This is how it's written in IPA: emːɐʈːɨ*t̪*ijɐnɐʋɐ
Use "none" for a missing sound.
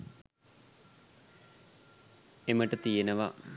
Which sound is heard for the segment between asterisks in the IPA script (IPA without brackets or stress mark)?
t̪